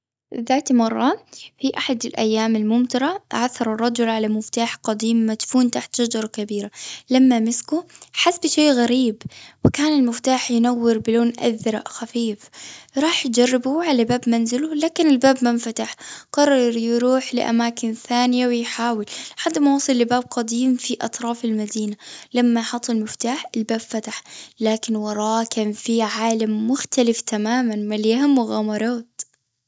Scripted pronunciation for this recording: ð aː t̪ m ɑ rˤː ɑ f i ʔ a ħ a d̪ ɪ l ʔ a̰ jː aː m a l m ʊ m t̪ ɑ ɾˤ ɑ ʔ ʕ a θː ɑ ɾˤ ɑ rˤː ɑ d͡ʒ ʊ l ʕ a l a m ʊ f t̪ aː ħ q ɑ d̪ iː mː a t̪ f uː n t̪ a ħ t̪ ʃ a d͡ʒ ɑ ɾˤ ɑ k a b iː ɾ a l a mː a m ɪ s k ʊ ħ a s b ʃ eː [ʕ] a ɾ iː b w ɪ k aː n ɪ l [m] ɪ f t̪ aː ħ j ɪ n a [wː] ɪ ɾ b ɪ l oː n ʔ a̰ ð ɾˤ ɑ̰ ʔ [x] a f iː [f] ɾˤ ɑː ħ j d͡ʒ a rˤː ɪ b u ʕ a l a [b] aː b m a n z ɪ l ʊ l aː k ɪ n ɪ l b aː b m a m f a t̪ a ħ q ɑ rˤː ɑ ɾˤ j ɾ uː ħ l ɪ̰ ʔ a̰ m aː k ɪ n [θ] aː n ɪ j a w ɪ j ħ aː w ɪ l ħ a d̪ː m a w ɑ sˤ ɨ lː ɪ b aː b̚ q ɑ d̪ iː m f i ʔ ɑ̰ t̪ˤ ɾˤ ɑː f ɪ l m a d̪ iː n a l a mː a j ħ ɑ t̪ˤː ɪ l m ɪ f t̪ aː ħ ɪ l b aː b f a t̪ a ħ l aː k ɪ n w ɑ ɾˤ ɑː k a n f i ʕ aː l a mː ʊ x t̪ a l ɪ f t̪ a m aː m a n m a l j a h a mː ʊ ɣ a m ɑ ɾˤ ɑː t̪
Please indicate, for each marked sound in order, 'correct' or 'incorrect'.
incorrect: ɣ, correct, correct, correct, correct, correct, correct

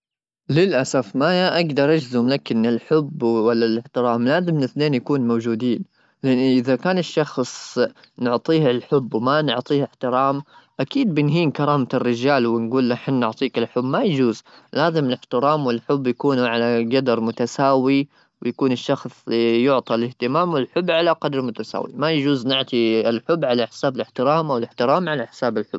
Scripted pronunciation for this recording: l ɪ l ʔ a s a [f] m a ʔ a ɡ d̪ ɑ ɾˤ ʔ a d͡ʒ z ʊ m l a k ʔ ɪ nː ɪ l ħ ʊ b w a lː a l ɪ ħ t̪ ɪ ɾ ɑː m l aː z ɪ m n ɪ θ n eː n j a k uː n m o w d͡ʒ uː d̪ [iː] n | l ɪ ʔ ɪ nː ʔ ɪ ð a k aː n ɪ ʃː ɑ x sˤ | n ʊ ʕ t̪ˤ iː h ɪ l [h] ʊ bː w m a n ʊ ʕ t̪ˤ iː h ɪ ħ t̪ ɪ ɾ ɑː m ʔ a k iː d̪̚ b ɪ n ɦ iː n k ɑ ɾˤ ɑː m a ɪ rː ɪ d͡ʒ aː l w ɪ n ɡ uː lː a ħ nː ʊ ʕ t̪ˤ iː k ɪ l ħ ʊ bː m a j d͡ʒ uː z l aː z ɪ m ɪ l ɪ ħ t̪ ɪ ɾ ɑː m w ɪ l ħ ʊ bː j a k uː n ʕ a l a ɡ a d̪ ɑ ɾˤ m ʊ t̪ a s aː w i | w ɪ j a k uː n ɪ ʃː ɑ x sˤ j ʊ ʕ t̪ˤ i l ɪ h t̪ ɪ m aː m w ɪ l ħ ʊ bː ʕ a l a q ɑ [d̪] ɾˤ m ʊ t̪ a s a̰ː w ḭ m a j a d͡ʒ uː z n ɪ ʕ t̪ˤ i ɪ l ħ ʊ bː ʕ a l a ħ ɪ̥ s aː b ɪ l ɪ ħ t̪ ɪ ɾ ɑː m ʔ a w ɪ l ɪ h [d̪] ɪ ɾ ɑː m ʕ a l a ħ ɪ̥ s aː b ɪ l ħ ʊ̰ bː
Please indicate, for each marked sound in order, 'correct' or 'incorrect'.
correct, correct, incorrect: ħ, correct, incorrect: t̪

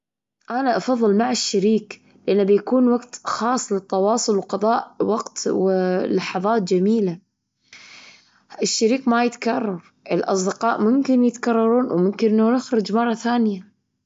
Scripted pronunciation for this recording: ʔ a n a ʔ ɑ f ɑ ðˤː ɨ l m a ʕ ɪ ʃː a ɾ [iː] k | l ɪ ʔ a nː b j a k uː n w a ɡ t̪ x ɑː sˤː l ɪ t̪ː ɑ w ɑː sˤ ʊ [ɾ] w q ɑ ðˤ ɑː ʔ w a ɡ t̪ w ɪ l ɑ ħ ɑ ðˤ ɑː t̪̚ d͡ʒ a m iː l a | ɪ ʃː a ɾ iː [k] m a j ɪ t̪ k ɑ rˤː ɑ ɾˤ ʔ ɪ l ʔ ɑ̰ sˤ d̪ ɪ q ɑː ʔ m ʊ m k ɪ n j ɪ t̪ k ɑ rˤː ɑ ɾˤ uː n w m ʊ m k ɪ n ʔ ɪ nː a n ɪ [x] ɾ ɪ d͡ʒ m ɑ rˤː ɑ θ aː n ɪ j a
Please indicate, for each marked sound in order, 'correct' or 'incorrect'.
correct, incorrect: l, correct, correct

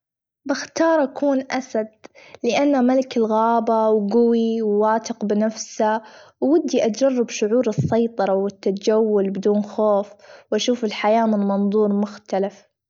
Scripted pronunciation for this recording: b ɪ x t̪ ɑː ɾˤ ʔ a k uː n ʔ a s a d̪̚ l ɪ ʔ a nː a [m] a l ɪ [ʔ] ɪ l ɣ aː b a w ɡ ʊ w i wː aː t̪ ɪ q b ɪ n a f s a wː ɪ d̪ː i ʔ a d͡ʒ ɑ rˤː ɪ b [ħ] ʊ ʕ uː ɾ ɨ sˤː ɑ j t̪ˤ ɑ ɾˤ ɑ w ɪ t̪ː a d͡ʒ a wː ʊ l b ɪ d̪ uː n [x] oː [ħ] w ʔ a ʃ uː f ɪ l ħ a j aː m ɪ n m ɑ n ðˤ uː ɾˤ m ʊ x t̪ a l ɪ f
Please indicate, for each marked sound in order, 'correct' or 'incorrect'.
correct, incorrect: k, incorrect: ʃ, correct, incorrect: f

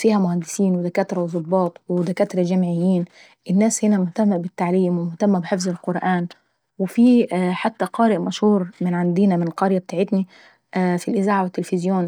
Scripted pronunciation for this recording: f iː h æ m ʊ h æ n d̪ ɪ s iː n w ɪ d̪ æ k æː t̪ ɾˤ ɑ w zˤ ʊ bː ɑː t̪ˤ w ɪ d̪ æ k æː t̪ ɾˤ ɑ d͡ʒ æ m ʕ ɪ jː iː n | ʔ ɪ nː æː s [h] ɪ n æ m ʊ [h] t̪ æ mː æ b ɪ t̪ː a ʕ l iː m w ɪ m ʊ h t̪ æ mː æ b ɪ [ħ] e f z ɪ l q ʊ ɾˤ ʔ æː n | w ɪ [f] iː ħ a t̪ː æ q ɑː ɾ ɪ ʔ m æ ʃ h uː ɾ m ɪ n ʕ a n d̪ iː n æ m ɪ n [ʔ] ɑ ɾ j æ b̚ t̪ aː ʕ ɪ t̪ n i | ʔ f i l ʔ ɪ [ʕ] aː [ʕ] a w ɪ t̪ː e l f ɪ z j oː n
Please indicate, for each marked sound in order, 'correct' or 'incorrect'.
correct, correct, correct, correct, incorrect: q, incorrect: z, correct

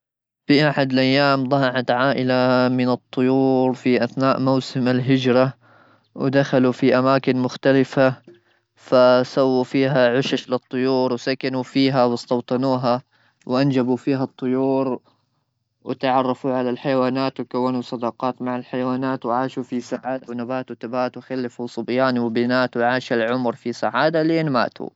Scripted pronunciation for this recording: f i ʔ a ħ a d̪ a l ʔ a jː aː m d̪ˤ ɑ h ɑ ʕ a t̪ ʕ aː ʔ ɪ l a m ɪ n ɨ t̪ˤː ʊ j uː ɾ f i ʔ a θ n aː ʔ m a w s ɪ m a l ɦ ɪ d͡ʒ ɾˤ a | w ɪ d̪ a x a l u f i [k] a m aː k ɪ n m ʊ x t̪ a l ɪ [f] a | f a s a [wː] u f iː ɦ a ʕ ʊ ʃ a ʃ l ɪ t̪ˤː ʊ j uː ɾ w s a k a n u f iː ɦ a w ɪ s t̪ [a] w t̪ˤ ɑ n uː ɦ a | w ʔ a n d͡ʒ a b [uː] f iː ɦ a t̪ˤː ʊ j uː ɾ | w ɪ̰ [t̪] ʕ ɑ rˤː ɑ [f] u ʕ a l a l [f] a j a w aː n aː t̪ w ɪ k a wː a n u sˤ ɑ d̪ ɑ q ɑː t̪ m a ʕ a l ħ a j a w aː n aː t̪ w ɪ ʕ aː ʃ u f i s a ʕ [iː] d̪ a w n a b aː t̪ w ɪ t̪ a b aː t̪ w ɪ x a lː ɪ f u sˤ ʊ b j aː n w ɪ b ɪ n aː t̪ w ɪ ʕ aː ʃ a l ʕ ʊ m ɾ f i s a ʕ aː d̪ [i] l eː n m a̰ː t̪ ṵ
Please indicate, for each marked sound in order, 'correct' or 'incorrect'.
incorrect: ʔ, correct, correct, incorrect: ɑ, incorrect: u, correct, correct, incorrect: ħ, incorrect: aː, incorrect: a

